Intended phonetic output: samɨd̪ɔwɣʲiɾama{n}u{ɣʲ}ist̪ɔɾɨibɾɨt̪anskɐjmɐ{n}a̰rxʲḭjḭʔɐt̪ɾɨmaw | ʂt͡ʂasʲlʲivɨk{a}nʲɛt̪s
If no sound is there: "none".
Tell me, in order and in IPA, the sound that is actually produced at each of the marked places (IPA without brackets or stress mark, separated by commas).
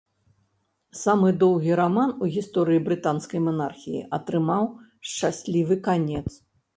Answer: n, ɣʲ, n, a